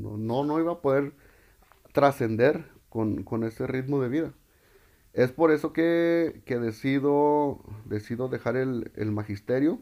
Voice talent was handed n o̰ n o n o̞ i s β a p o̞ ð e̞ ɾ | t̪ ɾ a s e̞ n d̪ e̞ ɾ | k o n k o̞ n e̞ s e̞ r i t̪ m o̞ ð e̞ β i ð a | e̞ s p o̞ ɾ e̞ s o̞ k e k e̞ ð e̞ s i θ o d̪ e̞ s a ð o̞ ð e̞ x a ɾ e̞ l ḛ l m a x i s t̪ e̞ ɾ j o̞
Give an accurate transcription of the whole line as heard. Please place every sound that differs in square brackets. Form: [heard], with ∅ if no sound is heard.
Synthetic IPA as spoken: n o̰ n o n o̞ i [∅] β a p o̞ ð e̞ ɾ | t̪ ɾ a s e̞ n d̪ e̞ ɾ | k o n k o̞ n e̞ s e̞ r i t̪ m o̞ ð e̞ β i ð a | e̞ s p o̞ ɾ e̞ s o̞ k e k e̞ ð e̞ s i [ð] o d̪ e̞ s [i] ð o̞ ð e̞ x a ɾ e̞ l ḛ l m a x i s t̪ e̞ ɾ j o̞